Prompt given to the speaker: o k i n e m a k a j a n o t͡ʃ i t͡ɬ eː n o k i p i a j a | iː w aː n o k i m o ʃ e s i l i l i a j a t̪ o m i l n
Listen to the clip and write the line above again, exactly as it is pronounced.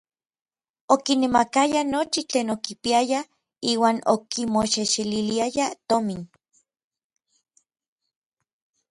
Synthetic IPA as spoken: o k i n e m a k a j a n o t͡ʃ i t͡ɬ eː n o k i p i a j a | iː w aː n o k i m o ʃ e ʃ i l i l i a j a t̪ o m i n

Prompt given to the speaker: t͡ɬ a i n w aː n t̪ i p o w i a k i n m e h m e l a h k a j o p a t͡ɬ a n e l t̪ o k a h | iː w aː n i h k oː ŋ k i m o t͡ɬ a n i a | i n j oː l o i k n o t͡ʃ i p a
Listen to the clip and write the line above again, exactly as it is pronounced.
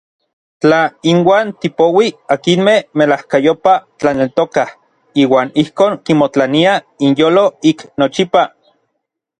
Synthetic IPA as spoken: t͡ɬ a i n w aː n t̪ i p o w i a k i n m e h m e l a h k a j o p a t͡ɬ a n e l t̪ o k a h | iː w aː n i h k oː ŋ k i m o t͡ɬ a n i a | i n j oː l o i k n o t͡ʃ i p a

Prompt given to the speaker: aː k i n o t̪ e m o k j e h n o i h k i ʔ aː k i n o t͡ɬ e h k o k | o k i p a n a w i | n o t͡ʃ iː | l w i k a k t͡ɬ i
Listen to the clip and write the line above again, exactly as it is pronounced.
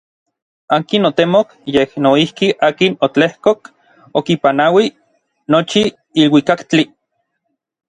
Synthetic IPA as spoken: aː k i n o t̪ e m o k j e h n o i h k i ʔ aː k i n o t͡ɬ e h k o k | o k i p a n a w i | n o t͡ʃ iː | l w i k a k t͡ɬ i

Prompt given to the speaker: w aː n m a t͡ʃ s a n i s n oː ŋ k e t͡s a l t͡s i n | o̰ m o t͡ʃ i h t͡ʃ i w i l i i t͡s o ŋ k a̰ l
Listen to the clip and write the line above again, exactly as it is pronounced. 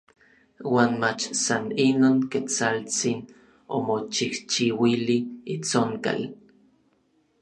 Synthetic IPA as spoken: w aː n m a t͡ʃ s a n i n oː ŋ k e t͡s a l t͡s i n | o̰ m o t͡ʃ i h t͡ʃ i w i l i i t͡s o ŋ k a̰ l

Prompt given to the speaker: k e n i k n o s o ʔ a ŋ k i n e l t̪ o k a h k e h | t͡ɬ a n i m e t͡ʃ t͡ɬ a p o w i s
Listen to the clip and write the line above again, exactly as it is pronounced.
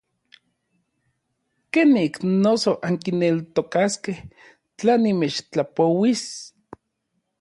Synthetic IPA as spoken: k e n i k n o s o ʔ a ŋ k i n e l t̪ o k a s k e h | t͡ɬ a n i m e t͡ʃ t͡ɬ a p o w i s

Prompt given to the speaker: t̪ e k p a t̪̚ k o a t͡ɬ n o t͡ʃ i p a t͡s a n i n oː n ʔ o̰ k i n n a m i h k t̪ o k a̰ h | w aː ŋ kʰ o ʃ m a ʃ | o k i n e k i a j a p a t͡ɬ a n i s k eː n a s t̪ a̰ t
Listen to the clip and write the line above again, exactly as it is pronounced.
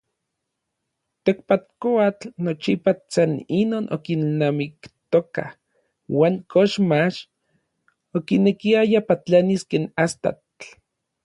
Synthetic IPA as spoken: t̪ e k p a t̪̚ k o a t͡ɬ n o t͡ʃ i p a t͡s a n i n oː n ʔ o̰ k i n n a m i k t̪ o k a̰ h | w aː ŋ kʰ o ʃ m a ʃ | o k i n e k i a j a p a t͡ɬ a n i s k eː n a s t̪ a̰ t

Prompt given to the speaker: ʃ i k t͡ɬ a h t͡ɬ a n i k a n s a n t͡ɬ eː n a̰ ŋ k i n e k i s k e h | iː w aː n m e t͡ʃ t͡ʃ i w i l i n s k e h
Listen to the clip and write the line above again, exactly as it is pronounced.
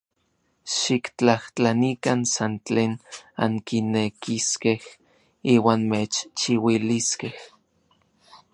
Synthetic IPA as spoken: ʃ i k t͡ɬ a h t͡ɬ a n i k a n s a n t͡ɬ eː n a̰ ŋ k i n e k i s k e h | iː w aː n m e t͡ʃ t͡ʃ i w i l i s k e h

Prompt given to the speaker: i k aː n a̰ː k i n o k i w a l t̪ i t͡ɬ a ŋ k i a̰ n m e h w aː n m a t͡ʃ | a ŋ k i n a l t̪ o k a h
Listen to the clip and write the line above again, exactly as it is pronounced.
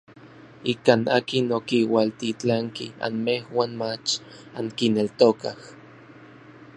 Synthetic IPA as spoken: i k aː n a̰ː k i n o k i w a l t̪ i t͡ɬ a ŋ k i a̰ n m e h w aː n m a t͡ʃ | a ŋ k i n e l t̪ o k a h

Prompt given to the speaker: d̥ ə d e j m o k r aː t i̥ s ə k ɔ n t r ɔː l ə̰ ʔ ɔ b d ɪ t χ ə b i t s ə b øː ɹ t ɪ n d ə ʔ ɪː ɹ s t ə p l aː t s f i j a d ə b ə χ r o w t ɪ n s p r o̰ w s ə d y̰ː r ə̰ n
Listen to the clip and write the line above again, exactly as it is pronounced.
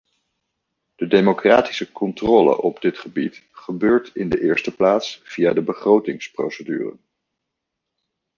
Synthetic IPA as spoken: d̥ ə d e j m o k r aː t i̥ s ə k ɔ n t r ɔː l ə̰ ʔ ɔ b d ɪ t χ ə b i t χ ə b øː ɹ t ɪ n d ə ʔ ɪː ɹ s t ə p l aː t s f i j a d ə b ə χ r o w t ɪ ŋ s p r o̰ w s ə d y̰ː r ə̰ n

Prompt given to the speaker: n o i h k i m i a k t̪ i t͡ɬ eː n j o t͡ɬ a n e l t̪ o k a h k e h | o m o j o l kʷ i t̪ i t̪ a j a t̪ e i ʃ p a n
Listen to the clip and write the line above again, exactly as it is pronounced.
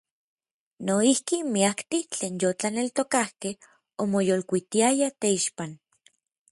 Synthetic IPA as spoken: n o i h k i m i a k t̪ i t͡ɬ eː n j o t͡ɬ a n e l t̪ o k a h k e h | o m o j o l kʷ i t̪ i a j a t̪ e i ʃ p a n

